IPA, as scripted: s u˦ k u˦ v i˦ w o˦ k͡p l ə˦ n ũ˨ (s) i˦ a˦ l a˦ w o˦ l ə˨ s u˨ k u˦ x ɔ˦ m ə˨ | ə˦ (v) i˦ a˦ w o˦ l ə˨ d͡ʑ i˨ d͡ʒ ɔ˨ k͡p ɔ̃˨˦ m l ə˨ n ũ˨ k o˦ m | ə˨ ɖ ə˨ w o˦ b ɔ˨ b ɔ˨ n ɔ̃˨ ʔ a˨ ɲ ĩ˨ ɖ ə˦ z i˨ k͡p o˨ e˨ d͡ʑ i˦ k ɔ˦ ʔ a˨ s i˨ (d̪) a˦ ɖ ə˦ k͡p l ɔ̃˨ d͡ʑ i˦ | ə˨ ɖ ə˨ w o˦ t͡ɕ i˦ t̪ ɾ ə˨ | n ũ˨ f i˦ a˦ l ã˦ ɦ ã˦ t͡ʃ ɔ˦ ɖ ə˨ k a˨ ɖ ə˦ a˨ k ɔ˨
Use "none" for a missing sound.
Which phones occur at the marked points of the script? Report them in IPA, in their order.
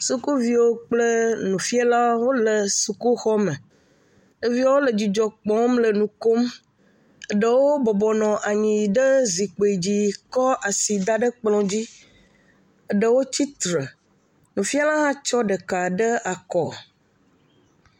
f, v, d̪

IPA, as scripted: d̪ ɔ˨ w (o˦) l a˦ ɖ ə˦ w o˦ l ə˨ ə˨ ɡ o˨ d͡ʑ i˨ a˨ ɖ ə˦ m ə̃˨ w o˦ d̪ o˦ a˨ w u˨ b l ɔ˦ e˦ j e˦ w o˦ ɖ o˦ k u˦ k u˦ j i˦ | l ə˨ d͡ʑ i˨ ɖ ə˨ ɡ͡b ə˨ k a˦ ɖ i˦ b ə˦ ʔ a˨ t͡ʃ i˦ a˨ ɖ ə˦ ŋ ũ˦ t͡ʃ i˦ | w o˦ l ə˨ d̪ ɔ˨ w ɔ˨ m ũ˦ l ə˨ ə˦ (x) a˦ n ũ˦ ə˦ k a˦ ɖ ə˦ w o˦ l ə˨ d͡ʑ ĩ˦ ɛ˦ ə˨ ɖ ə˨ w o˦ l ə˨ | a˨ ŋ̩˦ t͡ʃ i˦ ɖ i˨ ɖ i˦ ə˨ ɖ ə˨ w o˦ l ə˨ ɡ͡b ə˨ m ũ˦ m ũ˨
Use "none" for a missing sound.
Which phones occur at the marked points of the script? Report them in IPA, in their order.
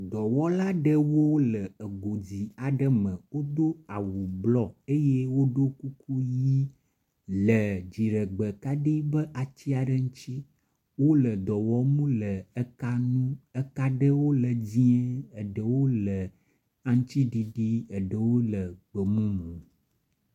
ɔ˦, k

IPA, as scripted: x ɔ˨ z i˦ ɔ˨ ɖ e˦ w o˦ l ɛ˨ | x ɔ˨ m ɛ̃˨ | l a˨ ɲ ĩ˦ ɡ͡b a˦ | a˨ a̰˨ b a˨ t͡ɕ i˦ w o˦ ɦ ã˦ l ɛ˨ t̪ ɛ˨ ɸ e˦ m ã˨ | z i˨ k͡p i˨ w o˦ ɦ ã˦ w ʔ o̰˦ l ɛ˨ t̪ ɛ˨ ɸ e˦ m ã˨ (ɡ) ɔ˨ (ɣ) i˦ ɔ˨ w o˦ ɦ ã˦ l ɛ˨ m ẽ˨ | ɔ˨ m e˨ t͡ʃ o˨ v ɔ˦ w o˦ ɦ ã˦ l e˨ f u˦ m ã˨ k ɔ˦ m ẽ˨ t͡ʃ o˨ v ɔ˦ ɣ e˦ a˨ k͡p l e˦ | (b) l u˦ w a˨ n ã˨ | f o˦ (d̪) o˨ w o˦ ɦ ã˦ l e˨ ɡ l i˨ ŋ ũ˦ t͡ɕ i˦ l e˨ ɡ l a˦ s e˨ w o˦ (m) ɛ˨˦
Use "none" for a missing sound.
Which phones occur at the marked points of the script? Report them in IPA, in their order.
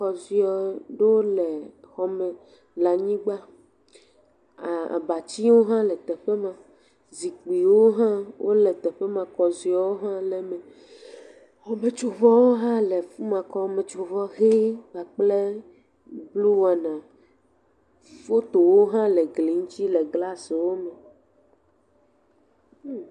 k, z, b, t̪, m

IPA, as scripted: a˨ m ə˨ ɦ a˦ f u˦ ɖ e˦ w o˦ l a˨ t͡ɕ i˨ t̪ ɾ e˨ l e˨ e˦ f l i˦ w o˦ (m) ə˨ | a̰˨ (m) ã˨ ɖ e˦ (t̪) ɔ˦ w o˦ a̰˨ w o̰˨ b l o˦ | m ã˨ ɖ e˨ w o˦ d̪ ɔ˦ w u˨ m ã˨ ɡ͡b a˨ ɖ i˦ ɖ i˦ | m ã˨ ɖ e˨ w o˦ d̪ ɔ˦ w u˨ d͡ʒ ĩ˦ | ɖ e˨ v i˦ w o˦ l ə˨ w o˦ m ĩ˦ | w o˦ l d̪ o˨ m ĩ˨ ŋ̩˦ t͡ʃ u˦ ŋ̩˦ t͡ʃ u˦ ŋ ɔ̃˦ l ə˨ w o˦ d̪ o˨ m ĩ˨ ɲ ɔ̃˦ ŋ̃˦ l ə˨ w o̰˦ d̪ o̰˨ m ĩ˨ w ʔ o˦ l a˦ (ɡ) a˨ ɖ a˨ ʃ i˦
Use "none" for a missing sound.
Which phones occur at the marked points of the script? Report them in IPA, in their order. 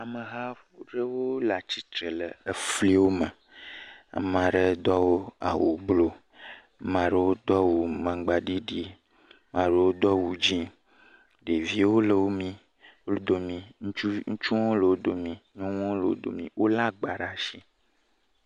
m, m, d̪, ɡ͡b

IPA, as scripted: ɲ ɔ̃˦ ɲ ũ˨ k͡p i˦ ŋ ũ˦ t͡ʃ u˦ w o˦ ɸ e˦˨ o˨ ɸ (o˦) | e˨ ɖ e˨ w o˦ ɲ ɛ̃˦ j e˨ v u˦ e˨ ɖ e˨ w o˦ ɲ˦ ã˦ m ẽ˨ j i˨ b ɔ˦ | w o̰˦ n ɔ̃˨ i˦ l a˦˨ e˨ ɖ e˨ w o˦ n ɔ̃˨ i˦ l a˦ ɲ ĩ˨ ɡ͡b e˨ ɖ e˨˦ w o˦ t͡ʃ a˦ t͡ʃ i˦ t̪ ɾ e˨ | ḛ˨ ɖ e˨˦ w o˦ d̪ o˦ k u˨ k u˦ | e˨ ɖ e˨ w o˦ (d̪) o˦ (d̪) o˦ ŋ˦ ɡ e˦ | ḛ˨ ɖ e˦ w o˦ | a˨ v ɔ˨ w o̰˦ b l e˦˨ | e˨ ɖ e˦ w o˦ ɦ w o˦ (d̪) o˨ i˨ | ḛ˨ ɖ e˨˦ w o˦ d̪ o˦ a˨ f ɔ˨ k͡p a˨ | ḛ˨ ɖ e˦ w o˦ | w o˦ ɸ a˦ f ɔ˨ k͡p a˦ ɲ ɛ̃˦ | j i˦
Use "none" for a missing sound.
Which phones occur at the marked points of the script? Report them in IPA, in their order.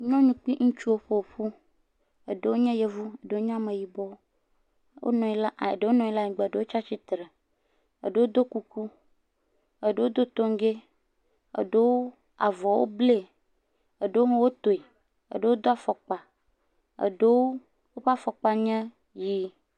u˦, d̪, t̪, t̪

